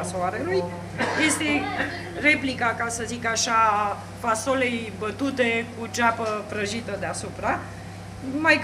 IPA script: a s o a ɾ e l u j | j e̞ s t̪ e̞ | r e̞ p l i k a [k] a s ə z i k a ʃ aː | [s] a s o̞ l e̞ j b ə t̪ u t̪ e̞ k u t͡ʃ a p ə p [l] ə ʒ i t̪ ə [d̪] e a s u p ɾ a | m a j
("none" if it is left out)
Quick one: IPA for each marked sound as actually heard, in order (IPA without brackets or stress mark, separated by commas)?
k, f, ɾ, d̪